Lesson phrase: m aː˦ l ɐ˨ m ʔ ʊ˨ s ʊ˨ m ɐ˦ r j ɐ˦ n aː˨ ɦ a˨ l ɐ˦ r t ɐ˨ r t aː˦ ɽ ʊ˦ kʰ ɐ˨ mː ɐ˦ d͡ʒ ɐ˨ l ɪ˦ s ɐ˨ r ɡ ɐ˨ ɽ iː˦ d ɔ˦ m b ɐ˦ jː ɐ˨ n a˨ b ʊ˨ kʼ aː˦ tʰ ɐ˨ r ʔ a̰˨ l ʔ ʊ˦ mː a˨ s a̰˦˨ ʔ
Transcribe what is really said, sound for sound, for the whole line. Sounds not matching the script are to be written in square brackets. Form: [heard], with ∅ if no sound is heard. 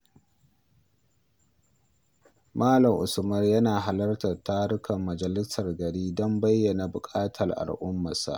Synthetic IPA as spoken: m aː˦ l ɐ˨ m ʔ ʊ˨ s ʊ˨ m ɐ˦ r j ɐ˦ n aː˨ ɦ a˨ l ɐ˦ r t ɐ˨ r t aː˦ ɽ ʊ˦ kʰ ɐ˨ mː [ɐ˨] d͡ʒ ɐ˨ l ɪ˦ s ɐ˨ r ɡ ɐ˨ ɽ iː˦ d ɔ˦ m b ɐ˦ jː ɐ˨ n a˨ b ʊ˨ kʼ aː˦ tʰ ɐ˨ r ʔ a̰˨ l ʔ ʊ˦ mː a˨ s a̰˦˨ ʔ